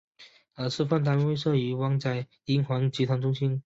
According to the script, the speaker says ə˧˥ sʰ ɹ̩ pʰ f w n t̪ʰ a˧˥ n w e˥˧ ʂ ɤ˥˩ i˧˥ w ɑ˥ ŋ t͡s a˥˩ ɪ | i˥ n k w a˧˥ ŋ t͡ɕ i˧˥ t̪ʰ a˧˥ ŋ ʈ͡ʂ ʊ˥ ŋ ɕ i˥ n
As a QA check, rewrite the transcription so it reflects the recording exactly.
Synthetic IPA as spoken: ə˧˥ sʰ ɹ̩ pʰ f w n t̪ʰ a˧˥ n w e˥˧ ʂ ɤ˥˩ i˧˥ w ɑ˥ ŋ t͡s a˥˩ ɪ | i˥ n x w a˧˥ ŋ t͡ɕ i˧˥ t̪ʰ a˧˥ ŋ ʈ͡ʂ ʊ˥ ŋ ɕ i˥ n